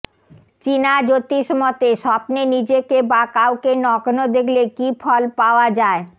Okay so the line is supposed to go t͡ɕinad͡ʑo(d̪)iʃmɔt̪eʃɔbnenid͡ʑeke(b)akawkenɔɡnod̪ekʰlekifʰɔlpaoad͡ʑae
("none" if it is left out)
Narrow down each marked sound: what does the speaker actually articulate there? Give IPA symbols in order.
t̪, b

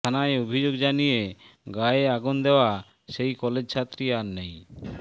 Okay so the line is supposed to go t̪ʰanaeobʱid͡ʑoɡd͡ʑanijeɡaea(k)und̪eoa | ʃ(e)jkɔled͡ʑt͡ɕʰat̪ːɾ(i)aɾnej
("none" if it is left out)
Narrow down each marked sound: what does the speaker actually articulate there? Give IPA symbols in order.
ɡ, e, i

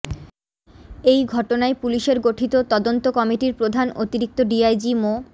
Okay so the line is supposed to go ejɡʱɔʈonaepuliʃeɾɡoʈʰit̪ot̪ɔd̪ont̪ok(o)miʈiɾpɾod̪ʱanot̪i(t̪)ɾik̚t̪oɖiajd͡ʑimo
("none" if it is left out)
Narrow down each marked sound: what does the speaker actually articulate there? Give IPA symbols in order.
ɔ, none

